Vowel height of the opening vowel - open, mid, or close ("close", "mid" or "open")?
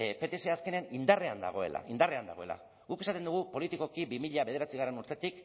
mid